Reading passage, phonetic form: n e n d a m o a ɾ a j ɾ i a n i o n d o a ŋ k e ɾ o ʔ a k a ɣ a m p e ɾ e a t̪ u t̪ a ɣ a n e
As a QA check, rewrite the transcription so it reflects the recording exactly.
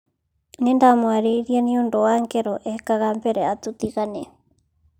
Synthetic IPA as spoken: n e n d a m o a ɾ e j ɾ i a n i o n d o a ŋ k e ɾ o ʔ e k a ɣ a m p e ɾ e a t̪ u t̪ i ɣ a n e